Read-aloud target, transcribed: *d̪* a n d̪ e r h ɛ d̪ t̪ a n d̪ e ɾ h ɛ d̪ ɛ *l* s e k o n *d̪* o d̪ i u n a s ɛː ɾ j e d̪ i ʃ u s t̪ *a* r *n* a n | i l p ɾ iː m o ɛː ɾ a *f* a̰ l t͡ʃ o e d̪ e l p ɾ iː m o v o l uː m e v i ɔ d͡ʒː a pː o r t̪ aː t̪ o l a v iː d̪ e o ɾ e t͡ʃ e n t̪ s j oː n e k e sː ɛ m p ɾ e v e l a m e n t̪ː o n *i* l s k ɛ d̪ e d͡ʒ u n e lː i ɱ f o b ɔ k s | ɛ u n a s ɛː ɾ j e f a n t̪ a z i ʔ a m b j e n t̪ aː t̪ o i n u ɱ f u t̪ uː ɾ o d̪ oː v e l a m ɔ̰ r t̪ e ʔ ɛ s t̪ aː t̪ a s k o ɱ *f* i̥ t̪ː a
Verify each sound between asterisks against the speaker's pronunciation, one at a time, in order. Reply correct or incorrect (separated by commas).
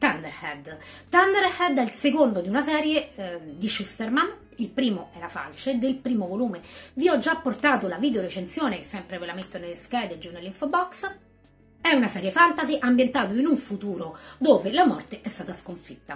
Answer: incorrect, correct, correct, incorrect, incorrect, correct, incorrect, correct